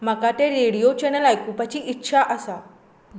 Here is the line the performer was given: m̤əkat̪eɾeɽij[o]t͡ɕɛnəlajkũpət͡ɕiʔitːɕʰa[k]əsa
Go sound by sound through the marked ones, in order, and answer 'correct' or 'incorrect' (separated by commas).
correct, incorrect